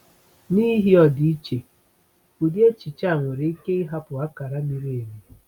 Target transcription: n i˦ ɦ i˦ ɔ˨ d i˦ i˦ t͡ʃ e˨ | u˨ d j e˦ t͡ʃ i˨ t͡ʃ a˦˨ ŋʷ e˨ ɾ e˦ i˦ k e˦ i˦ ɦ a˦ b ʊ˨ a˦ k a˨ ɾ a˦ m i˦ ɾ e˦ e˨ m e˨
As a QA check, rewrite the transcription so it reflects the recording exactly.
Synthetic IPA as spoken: n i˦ ɦ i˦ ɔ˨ d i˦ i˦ t͡ʃ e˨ | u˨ d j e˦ t͡ʃ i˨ t͡ʃ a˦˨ ŋʷ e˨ ɾ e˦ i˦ k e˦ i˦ ɦ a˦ p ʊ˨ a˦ k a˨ ɾ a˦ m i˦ ɾ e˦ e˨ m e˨